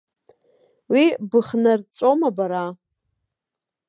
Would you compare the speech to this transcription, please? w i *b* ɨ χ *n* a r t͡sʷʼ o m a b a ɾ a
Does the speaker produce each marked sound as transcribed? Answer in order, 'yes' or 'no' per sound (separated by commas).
yes, yes